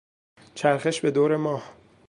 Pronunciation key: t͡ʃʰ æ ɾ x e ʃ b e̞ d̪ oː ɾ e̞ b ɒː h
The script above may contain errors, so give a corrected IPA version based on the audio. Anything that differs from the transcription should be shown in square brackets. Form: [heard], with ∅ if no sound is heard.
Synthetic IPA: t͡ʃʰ æ ɾ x e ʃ b e̞ d̪ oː ɾ e̞ [m] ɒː h